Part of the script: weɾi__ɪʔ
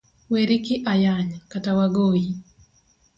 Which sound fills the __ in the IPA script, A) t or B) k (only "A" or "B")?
B